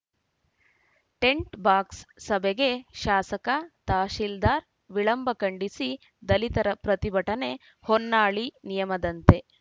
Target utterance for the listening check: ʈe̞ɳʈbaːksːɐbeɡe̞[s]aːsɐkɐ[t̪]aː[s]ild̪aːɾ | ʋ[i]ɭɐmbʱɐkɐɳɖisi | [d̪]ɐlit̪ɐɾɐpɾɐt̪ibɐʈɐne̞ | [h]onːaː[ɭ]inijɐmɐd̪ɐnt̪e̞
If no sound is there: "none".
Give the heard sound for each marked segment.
ʃ, t̪, ʃ, i, d̪, h, ɭ

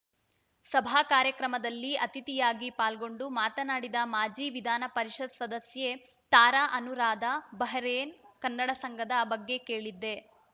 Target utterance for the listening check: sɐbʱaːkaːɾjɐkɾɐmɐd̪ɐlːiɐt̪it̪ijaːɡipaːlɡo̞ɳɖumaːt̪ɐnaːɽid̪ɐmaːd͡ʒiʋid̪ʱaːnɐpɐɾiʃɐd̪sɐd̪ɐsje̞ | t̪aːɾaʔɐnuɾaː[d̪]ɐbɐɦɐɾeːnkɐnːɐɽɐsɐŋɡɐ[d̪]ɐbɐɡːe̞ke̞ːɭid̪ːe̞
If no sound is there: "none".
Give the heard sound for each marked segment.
d̪, d̪

